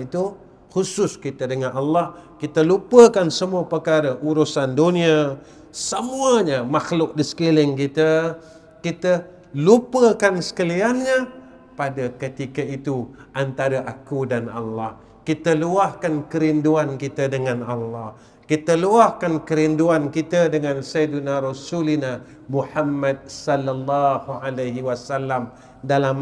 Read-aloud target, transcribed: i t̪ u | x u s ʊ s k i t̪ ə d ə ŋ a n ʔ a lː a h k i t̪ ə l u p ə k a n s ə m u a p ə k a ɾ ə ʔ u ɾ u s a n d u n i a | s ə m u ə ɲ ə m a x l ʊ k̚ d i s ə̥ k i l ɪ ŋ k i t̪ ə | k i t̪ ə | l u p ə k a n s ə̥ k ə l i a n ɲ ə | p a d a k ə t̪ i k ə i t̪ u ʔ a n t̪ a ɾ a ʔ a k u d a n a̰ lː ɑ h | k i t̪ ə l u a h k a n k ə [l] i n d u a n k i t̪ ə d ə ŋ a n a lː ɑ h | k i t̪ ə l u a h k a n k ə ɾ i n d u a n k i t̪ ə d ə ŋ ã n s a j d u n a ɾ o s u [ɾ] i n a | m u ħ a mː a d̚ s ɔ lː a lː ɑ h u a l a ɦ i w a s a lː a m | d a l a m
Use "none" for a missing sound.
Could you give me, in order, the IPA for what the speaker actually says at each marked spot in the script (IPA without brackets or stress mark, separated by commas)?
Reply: ɾ, l